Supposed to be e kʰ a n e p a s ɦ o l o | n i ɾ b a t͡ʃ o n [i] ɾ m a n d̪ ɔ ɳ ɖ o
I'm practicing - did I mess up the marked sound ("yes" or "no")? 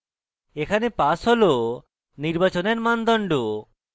yes